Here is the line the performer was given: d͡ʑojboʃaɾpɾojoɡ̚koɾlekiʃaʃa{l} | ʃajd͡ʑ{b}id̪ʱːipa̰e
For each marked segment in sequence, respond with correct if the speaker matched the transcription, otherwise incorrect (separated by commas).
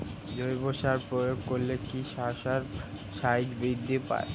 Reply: incorrect, correct